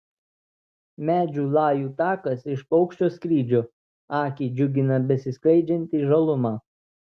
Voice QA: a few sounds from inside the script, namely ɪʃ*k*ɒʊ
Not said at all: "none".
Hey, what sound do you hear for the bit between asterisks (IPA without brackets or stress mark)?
p